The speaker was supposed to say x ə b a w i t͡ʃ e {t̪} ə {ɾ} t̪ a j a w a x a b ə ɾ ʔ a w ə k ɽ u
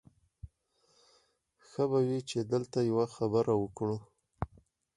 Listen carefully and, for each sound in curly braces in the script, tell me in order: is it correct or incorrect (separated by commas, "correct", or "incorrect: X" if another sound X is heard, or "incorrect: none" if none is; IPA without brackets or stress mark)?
incorrect: d̪, incorrect: l